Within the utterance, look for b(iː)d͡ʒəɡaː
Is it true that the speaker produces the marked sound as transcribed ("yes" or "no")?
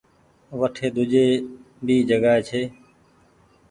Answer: yes